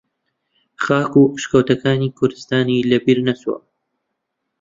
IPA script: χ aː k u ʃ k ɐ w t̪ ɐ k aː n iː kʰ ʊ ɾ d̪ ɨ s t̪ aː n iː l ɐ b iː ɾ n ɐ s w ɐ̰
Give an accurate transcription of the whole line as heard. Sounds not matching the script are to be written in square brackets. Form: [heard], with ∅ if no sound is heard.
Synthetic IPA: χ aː k u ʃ k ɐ w t̪ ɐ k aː n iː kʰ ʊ ɾ d̪ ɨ s t̪ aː n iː l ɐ b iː ɾ n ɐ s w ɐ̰